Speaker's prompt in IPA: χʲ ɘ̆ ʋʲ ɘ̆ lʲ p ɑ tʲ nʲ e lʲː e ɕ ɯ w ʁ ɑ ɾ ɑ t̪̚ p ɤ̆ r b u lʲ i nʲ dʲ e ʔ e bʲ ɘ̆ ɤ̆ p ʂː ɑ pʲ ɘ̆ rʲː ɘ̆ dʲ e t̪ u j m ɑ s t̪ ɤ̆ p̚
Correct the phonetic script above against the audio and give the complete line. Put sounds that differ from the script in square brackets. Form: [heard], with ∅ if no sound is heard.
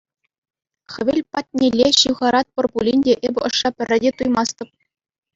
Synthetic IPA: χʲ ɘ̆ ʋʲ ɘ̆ lʲ p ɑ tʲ nʲ e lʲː e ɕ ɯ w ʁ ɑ ɾ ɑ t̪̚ p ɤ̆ r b u lʲ i nʲ dʲ e ʔ e bʲ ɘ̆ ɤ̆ [∅] ʂː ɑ pʲ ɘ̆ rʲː ɘ̆ dʲ e t̪ u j m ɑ s t̪ ɤ̆ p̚